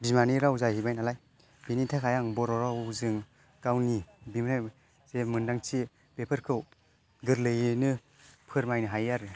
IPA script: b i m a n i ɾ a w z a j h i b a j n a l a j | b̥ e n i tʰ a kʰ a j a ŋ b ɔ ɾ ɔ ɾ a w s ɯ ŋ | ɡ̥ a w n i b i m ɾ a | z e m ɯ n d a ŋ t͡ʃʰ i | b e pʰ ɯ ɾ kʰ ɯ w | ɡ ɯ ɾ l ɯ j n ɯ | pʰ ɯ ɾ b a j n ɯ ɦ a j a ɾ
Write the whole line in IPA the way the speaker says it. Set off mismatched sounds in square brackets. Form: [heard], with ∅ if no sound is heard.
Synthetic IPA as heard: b i m a n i ɾ a w z a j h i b a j n a l a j | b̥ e n i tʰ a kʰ a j a ŋ b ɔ ɾ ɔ ɾ a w [z] ɯ ŋ | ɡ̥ a w n i b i m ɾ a | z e m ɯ n d a ŋ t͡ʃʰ i | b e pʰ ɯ ɾ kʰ ɯ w | ɡ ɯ ɾ l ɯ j n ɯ | pʰ ɯ ɾ [m] a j n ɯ ɦ a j a ɾ